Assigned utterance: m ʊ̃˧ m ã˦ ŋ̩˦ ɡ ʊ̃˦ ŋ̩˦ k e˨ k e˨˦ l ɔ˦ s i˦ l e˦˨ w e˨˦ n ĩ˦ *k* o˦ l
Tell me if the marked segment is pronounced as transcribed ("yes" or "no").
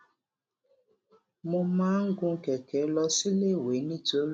no